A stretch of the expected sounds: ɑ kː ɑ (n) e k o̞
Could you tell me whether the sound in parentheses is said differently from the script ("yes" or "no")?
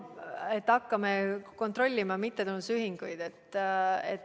yes